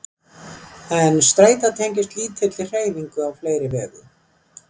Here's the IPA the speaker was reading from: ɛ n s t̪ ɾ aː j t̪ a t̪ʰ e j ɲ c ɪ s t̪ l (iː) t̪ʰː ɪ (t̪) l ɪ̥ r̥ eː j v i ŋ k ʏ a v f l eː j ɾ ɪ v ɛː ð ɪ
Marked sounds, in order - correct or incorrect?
correct, correct

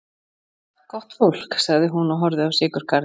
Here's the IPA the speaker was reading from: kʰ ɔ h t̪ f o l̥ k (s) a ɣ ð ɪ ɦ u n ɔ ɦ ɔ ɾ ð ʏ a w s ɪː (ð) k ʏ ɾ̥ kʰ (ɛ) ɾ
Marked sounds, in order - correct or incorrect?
correct, incorrect: none, incorrect: a

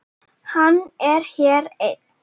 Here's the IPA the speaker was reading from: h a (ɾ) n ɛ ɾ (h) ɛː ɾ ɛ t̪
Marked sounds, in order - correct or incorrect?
incorrect: none, correct

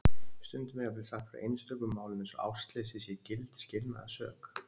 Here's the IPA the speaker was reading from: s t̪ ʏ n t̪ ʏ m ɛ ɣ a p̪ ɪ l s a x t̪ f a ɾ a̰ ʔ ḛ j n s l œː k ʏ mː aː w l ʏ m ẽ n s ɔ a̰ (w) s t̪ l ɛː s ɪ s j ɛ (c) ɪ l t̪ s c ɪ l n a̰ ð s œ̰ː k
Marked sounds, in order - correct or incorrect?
correct, correct

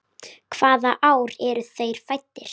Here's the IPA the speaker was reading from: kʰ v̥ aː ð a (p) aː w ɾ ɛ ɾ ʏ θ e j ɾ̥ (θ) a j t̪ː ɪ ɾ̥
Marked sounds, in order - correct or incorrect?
incorrect: ʔ, incorrect: f

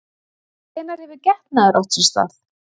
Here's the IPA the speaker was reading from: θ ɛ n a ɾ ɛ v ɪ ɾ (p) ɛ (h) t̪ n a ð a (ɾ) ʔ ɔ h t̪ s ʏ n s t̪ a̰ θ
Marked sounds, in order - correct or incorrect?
incorrect: c, correct, correct

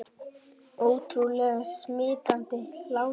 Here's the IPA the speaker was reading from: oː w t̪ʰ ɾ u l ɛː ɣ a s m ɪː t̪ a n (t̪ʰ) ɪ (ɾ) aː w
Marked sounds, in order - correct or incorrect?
incorrect: t̪, incorrect: l

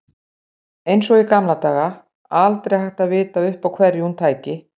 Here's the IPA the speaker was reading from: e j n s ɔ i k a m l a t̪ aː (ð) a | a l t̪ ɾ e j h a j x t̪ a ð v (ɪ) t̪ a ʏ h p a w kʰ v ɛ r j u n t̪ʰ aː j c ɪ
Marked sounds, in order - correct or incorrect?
incorrect: ɣ, incorrect: ɪː

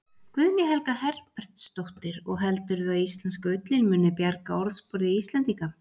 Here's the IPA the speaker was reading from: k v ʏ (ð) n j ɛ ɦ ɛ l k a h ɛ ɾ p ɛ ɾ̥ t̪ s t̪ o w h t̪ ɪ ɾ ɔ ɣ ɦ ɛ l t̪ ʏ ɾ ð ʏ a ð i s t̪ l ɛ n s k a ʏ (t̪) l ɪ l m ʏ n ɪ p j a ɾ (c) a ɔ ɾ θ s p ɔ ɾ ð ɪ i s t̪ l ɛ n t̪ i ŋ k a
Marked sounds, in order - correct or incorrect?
correct, correct, incorrect: k

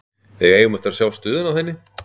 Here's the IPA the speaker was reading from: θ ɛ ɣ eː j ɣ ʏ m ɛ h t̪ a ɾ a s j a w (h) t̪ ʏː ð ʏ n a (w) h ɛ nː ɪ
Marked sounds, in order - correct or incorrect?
incorrect: s, correct

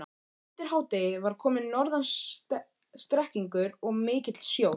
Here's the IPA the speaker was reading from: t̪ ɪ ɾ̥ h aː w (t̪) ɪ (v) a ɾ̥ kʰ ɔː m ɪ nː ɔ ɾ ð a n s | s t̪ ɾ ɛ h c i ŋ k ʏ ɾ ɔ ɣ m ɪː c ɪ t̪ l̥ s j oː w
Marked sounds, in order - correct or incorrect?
correct, correct

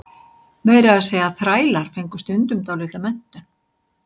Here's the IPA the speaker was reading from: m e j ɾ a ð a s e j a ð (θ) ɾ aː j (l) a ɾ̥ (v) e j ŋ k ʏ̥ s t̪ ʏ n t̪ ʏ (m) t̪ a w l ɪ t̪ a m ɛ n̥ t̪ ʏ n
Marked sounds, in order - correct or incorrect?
correct, correct, incorrect: f, correct

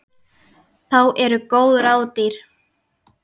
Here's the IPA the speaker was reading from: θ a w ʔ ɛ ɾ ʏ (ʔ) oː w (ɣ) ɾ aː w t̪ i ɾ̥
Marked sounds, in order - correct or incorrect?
incorrect: k, incorrect: ð

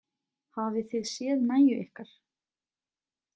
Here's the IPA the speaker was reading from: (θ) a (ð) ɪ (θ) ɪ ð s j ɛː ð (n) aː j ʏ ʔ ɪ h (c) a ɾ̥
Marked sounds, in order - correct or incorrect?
incorrect: h, incorrect: v, correct, correct, incorrect: k

